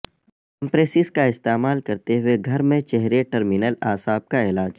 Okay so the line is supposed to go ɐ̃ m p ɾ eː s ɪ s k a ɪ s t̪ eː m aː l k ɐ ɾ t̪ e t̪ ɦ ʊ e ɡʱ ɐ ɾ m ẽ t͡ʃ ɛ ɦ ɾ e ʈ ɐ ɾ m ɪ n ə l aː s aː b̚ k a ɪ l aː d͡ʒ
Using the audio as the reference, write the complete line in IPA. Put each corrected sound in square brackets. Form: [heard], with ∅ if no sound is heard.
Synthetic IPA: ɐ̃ m p ɾ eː s ɪ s k a ɪ s t̪ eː m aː l k ɐ ɾ t̪ e [∅] ɦ ʊ e ɡʱ ɐ ɾ m ẽ t͡ʃ ɛ ɦ ɾ e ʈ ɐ ɾ m ɪ n ə l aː s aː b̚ k a ɪ l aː d͡ʒ